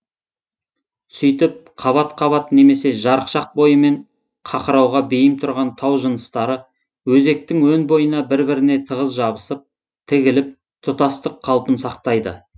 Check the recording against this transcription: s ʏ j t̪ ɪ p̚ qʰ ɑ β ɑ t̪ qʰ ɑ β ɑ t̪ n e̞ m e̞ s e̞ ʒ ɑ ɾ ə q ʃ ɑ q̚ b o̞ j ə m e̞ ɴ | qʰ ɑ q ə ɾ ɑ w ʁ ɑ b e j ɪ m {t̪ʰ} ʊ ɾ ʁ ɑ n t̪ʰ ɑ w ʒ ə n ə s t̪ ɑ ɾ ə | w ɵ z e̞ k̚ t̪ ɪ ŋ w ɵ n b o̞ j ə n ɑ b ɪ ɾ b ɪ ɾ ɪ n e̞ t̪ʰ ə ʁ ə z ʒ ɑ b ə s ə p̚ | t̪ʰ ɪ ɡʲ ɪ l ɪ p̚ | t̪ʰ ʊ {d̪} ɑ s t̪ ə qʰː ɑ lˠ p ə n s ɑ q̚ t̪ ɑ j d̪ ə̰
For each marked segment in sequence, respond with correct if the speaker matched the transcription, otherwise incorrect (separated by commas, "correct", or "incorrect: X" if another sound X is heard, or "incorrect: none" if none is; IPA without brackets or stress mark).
correct, incorrect: t̪